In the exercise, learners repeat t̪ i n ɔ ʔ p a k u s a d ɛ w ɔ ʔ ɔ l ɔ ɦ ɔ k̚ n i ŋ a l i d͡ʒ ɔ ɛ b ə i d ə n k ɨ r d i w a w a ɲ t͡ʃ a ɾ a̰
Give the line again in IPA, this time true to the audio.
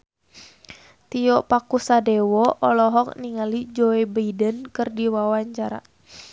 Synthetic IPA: t̪ i ɔ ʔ p a k u s a d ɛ w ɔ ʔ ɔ l ɔ ɦ ɔ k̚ n i ŋ a l i d͡ʒ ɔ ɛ b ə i d ə n k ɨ r d i w a w a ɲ t͡ʃ a ɾ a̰